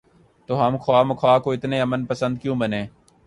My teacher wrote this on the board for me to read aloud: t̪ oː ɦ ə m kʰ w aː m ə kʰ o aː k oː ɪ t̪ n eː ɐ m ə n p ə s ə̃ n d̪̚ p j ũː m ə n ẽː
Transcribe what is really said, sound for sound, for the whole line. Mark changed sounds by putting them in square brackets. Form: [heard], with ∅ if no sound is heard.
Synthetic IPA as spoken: t̪ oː ɦ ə m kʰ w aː m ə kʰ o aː k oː ɪ t̪ n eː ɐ m ə n p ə s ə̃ n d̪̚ [k] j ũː [b] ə n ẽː